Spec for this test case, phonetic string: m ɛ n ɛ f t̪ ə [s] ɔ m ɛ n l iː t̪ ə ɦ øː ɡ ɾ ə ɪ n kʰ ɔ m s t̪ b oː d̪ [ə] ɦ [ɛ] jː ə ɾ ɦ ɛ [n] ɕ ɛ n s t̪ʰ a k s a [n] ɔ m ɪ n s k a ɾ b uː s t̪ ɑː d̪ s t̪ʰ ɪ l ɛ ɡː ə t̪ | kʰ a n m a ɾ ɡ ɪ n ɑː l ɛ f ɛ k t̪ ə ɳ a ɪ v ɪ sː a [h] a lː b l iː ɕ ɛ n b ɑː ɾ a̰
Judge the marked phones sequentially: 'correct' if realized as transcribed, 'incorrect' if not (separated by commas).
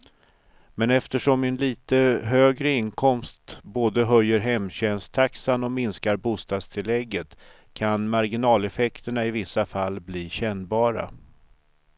incorrect, correct, incorrect, incorrect, correct, incorrect